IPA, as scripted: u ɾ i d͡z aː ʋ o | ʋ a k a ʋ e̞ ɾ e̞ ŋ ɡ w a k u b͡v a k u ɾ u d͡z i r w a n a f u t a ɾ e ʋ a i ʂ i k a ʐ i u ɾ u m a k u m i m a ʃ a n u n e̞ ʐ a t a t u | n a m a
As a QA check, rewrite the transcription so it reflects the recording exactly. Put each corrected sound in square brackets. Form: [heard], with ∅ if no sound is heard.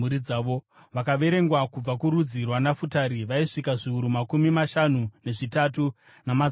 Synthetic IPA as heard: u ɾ i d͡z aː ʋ o | ʋ a k a ʋ e̞ ɾ e̞ ŋ ɡ w a k u b͡v a k u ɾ u d͡z i r w a n a f u t a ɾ [i] ʋ a i ʂ i k a ʐ i u ɾ u m a k u m i m a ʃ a n u n e̞ ʐ [i] t a t u | n a m a